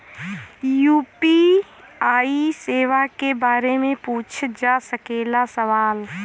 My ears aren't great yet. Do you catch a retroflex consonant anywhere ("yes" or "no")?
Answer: no